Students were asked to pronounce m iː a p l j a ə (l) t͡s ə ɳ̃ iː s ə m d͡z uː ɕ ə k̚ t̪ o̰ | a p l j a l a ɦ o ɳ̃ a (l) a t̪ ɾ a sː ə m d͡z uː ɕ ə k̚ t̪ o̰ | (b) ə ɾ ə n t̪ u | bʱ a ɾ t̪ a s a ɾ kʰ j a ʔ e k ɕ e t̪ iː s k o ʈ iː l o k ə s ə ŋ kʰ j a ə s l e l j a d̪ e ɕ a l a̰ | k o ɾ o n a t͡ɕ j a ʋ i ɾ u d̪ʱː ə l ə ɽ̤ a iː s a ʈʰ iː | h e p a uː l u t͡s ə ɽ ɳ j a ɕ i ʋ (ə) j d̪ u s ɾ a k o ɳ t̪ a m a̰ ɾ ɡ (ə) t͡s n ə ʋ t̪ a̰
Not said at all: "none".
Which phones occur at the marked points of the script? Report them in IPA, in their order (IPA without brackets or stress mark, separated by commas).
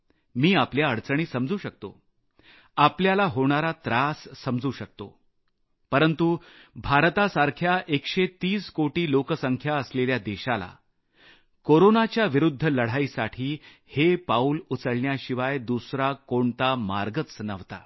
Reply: ɽ, ɾ, p, a, ə